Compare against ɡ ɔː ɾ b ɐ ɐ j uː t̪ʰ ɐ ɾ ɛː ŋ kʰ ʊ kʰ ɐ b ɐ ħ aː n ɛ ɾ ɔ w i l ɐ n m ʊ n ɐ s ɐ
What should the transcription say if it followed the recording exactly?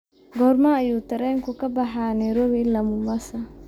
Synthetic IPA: ɡ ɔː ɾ m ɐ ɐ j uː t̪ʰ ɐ ɾ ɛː ŋ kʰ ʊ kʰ ɐ b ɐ ħ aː n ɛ ɾ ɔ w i l ɐ m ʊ m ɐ s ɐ